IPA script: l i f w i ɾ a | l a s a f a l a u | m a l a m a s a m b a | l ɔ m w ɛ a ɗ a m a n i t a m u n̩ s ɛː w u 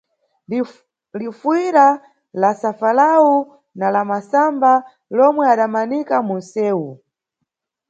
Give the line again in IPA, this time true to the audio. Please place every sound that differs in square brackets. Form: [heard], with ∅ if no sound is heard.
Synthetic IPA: l i f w i ɾ a | l a s a f a l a u | [n] a l a m a s a m b a | l ɔ m w ɛ a ɗ a m a n i [k] a m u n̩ s ɛː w u